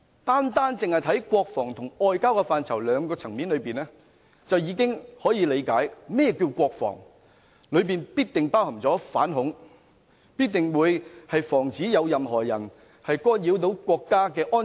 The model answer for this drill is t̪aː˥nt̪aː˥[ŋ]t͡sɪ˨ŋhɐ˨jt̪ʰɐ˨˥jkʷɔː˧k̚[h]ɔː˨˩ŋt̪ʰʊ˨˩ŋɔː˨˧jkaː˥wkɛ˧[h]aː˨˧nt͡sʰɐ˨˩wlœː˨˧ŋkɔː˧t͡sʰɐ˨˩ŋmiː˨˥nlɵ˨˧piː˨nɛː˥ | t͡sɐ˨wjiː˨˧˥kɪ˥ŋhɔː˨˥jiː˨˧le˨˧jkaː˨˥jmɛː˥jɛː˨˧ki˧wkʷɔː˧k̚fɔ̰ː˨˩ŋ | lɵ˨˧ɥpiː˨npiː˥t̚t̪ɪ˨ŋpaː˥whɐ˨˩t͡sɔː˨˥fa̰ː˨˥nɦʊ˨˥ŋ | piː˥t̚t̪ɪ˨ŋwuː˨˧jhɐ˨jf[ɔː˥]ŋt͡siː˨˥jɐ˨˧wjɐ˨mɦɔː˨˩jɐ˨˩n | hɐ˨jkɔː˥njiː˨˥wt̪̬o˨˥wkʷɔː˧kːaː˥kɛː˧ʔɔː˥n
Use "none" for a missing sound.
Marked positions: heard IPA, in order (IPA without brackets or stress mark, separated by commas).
n, f, f, ɔː˨˩